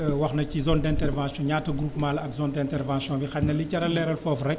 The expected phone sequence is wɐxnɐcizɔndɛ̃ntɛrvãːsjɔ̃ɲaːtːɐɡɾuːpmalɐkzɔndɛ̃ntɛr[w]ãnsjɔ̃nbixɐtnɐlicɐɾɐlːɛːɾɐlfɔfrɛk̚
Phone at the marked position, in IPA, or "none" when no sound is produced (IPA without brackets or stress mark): v